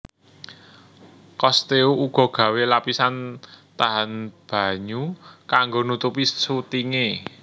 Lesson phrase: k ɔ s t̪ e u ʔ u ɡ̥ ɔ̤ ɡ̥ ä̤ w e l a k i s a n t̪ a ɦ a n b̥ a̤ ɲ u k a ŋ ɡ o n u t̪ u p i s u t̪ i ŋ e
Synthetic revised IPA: k ɔ s t̪ e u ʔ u ɡ̥ ɔ̤ ɡ̥ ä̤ w e l a p i s a n t̪ a ɦ a n b̥ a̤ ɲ u k a ŋ ɡ o n u t̪ u p i s u t̪ i ŋ e